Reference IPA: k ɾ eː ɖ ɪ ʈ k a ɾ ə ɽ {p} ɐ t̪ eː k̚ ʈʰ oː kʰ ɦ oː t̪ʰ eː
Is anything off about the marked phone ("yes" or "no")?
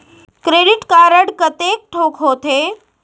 yes